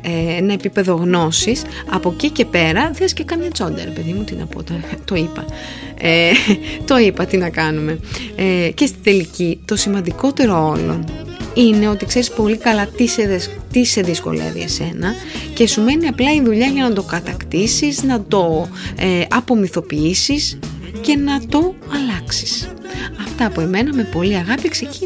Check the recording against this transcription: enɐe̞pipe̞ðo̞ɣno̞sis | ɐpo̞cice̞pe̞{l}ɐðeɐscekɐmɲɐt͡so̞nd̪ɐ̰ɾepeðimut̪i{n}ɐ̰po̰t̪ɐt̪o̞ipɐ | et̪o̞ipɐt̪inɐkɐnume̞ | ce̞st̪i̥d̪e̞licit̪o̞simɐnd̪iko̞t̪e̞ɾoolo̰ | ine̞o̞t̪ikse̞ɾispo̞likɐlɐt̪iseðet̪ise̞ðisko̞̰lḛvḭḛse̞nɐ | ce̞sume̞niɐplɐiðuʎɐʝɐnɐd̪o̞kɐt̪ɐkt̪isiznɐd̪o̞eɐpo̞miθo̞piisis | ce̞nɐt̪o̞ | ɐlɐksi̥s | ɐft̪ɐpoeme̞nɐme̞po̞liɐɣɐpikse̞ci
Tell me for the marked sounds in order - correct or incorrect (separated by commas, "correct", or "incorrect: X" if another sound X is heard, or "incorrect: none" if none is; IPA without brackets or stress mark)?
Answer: incorrect: ɾ, correct